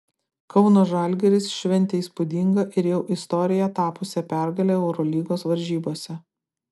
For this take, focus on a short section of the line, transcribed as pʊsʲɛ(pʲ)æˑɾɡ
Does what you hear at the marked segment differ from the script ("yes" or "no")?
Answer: no